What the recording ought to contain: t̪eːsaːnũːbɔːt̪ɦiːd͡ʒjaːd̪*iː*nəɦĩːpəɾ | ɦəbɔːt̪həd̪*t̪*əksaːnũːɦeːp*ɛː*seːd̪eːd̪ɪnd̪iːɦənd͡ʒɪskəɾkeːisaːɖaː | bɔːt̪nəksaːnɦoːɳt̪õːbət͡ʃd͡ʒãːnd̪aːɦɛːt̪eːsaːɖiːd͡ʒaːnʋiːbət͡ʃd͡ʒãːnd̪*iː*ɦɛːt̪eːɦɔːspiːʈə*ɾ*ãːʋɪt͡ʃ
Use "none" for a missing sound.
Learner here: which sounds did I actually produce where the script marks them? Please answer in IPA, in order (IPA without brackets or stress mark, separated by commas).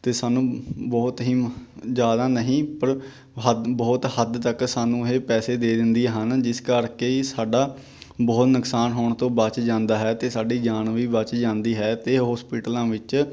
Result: aː, t̪, ɛː, iː, l